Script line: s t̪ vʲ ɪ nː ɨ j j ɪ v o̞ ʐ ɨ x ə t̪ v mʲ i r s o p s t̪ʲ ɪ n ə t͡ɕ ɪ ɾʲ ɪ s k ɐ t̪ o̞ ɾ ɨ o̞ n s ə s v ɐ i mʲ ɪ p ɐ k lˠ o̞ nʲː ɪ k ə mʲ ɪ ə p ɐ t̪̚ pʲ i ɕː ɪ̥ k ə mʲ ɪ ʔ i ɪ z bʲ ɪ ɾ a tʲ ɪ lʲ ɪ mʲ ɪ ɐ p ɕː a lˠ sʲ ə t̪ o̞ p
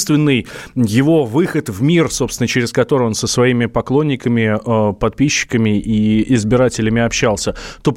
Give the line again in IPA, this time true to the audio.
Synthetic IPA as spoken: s t̪ vʲ ɪ nː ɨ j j ɪ v o̞ v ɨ x ə t̪ v mʲ i r s o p s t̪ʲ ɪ n ə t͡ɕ ɪ ɾʲ ɪ s k ɐ t̪ o̞ ɾ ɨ o̞ n s ə s v ɐ i mʲ ɪ p ɐ k lˠ o̞ nʲː ɪ k ə mʲ ɪ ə p ɐ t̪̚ pʲ i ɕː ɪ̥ k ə mʲ ɪ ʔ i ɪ z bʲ ɪ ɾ a tʲ ɪ lʲ ɪ mʲ ɪ ɐ p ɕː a lˠ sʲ ə t̪ o̞ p